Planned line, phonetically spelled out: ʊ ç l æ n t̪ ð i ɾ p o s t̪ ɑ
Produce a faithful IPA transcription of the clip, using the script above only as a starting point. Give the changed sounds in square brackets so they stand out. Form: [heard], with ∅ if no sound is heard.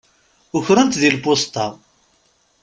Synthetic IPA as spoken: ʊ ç [ɾ] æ n t̪ ð i [l] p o s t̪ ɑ